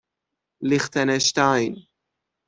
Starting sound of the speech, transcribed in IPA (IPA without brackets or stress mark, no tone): l